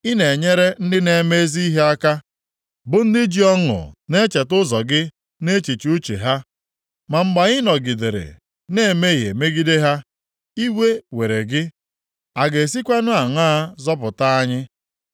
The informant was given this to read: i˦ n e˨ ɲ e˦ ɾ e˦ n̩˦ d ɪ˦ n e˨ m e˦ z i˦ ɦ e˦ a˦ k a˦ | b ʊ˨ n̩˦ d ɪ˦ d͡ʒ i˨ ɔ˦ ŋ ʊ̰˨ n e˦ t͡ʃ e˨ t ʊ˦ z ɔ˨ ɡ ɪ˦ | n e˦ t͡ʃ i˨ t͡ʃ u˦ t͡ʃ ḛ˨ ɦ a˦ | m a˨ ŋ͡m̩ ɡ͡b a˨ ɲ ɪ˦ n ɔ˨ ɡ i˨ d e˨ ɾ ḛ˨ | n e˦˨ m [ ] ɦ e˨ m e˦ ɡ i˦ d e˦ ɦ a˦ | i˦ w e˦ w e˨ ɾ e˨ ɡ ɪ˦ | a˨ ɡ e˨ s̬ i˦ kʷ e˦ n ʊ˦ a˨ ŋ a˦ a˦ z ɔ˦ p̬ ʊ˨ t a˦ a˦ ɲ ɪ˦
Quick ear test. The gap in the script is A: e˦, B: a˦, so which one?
A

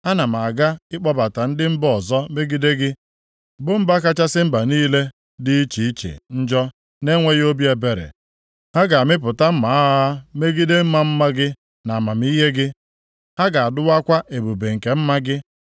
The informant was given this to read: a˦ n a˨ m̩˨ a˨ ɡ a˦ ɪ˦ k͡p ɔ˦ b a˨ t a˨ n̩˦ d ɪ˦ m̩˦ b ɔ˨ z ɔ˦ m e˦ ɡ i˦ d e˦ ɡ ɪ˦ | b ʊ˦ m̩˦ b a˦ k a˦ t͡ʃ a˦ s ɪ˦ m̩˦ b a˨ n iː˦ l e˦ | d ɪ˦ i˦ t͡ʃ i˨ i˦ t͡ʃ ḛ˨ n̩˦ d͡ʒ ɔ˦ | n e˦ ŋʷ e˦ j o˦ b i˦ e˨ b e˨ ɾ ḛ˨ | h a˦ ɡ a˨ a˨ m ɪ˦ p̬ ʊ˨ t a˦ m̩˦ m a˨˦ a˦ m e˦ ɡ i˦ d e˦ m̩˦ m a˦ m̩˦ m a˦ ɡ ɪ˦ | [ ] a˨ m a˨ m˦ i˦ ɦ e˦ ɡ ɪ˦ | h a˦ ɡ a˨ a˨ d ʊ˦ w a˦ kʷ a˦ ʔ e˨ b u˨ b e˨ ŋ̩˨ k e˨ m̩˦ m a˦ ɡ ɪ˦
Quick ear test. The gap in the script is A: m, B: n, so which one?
B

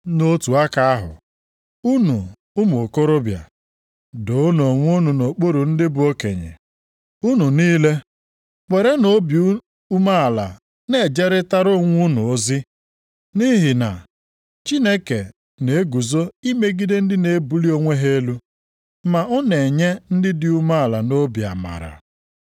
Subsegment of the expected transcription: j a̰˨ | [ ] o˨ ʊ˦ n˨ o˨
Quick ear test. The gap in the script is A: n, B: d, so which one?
B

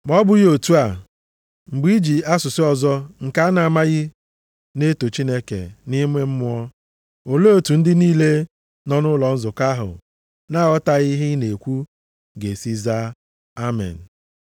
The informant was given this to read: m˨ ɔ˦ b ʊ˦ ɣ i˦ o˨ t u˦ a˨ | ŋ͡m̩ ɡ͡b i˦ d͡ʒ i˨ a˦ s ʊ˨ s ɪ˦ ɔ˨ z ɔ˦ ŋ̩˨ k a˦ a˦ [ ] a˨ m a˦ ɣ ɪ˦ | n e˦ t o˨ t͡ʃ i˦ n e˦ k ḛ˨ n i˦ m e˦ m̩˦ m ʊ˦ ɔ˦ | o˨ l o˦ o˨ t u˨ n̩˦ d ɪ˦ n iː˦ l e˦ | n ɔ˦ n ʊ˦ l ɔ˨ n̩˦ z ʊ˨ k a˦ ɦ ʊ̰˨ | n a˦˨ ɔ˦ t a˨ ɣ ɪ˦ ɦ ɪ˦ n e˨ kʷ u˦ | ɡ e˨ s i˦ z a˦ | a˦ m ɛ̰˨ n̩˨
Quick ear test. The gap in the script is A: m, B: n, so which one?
B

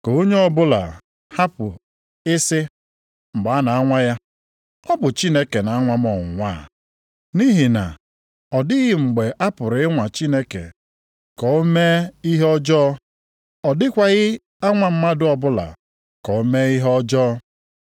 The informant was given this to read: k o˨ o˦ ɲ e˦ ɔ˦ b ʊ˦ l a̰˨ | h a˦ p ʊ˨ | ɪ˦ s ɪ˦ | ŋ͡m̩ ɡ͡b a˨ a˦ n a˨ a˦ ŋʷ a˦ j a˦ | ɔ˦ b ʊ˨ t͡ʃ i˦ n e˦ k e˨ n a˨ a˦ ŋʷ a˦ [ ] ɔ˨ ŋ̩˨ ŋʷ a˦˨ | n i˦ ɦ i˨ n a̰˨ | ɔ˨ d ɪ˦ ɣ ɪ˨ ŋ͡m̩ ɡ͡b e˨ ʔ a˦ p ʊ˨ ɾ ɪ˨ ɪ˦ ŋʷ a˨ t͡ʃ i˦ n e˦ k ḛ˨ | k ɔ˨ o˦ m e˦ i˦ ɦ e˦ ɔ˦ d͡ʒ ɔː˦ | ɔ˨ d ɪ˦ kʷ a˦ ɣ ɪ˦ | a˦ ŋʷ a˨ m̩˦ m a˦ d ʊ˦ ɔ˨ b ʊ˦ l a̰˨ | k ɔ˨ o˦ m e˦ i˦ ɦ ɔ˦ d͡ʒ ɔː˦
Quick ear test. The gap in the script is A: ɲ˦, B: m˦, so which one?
B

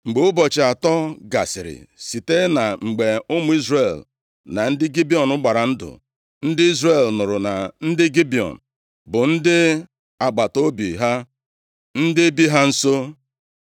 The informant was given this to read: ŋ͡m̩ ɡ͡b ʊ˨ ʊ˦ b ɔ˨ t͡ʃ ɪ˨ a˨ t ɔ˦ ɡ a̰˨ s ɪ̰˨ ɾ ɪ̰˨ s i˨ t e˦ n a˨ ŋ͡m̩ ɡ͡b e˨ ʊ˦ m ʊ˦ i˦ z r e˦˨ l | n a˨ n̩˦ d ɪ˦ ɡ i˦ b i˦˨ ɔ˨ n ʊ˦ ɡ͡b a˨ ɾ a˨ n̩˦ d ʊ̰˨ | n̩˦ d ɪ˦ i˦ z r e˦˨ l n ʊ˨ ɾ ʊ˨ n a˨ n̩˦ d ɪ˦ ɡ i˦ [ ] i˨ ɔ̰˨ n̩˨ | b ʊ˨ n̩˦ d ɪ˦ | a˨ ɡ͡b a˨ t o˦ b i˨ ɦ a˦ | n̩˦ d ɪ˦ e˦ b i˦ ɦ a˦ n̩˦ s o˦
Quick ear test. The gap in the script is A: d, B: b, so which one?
B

